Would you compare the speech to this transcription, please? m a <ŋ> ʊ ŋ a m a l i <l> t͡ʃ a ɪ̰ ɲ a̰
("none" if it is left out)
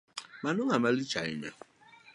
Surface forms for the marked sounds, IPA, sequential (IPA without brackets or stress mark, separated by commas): n, none